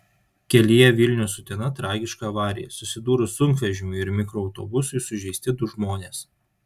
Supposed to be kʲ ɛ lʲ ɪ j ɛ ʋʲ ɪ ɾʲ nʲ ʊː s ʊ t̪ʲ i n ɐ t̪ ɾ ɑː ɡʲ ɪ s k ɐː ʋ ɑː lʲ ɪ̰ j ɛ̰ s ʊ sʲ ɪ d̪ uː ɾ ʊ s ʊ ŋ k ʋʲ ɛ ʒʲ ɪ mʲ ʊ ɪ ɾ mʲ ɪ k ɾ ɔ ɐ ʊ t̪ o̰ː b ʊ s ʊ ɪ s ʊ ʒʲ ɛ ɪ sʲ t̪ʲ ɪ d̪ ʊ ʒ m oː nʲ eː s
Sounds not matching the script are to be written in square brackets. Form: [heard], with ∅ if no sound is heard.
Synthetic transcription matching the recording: kʲ ɛ lʲ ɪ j ɛ ʋʲ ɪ [lʲ] nʲ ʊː s ʊ t̪ʲ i n ɐ t̪ ɾ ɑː ɡʲ ɪ [ʃ] k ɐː ʋ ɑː [ɾʲ] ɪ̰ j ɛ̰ s ʊ sʲ ɪ d̪ uː ɾ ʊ s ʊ ŋ k ʋʲ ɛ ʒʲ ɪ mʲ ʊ ɪ ɾ mʲ ɪ k ɾ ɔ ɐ ʊ t̪ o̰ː b ʊ s ʊ ɪ s ʊ ʒʲ ɛ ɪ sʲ t̪ʲ ɪ d̪ ʊ ʒ m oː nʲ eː s